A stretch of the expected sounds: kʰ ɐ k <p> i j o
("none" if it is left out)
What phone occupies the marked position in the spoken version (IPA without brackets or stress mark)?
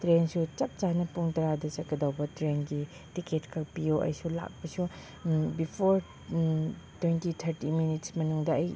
p